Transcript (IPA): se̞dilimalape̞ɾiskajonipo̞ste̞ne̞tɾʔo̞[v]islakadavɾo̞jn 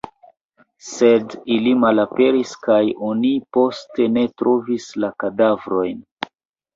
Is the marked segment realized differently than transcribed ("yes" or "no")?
no